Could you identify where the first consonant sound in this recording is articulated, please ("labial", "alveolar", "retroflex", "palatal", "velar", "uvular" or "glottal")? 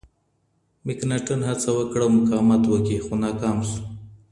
labial